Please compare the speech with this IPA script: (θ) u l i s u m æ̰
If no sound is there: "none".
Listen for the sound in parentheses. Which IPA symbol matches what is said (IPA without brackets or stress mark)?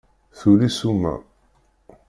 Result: θ